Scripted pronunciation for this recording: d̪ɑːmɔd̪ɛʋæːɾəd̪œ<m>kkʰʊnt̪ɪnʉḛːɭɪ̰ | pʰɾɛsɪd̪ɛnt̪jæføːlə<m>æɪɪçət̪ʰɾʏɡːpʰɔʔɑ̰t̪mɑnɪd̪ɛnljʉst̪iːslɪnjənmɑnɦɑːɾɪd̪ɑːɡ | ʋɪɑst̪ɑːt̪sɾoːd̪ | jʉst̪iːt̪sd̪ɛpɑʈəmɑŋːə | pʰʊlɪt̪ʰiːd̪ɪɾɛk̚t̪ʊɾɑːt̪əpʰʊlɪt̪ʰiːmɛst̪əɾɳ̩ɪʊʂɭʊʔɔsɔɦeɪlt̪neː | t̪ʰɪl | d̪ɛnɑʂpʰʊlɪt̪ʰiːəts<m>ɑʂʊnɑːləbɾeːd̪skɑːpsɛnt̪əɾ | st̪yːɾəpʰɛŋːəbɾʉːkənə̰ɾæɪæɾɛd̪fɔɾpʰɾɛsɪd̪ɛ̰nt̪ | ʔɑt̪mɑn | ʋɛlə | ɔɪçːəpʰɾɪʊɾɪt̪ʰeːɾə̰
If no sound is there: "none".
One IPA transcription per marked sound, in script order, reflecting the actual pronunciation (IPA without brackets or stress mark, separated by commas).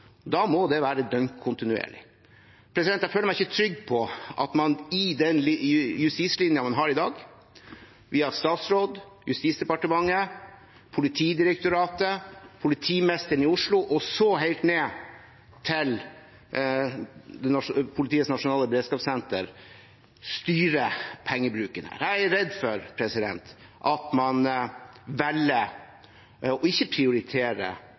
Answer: ŋ, m, n